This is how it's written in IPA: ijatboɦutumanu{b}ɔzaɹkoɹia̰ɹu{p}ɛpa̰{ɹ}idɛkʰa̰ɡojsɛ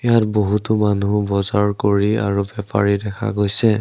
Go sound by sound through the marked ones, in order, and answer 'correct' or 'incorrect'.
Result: correct, incorrect, correct

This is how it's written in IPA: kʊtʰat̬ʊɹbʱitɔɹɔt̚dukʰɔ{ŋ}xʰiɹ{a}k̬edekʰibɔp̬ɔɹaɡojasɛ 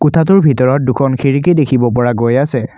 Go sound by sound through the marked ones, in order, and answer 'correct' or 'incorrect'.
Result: incorrect, incorrect

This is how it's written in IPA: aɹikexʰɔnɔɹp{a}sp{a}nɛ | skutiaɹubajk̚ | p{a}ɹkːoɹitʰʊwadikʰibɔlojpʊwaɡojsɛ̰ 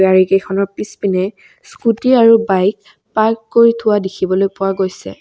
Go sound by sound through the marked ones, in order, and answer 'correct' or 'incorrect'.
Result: incorrect, incorrect, correct

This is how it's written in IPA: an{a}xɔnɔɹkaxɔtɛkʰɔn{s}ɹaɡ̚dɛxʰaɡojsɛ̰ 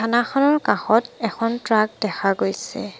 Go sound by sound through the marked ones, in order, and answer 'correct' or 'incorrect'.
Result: correct, incorrect

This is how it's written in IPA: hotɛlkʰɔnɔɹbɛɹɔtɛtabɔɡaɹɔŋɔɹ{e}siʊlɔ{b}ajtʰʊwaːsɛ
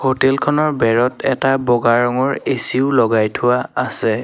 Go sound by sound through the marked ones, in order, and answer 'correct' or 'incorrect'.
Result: correct, incorrect

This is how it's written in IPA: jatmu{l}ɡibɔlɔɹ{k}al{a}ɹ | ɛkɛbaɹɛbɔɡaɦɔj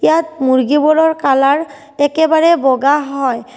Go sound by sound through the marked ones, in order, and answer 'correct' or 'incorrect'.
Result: incorrect, correct, correct

